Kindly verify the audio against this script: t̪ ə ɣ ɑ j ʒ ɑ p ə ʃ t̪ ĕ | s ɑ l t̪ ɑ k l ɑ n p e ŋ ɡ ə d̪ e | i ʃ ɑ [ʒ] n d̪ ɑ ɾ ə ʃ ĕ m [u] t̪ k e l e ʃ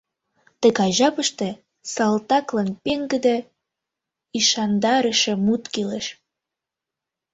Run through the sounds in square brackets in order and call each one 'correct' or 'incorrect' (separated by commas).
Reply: incorrect, correct